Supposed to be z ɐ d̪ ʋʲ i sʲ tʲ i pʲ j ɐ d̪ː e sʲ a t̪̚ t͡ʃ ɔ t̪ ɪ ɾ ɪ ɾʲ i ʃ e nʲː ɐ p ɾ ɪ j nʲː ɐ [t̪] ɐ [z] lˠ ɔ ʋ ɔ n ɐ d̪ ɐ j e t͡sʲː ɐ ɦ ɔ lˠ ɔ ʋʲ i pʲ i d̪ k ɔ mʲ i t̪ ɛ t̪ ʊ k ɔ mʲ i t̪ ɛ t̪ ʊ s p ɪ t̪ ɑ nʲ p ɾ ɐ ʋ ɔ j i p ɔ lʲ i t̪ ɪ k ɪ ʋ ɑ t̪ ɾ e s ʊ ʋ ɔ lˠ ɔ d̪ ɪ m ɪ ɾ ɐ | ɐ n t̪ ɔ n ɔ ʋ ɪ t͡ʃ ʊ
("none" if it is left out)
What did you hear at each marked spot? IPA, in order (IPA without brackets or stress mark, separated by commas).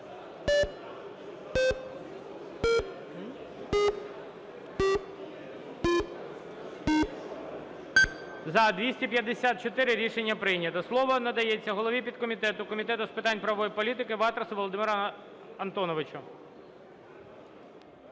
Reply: t̪, s